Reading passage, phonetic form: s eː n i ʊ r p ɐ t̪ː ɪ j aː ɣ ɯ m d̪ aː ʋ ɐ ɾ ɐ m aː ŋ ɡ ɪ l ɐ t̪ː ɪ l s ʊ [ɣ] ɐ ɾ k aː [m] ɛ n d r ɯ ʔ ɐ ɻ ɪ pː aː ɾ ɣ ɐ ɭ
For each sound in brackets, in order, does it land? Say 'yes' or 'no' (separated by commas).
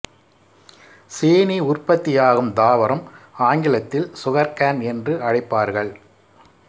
yes, no